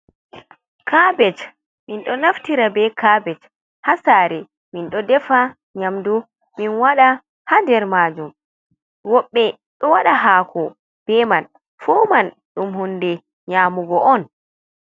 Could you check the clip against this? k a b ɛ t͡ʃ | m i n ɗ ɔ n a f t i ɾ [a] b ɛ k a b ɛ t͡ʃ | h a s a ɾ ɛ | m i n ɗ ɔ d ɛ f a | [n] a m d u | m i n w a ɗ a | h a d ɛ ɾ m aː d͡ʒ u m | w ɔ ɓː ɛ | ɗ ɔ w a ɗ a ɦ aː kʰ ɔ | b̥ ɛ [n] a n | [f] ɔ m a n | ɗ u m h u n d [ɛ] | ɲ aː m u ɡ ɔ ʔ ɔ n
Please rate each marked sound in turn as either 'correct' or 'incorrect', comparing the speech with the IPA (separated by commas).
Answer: correct, incorrect, incorrect, correct, correct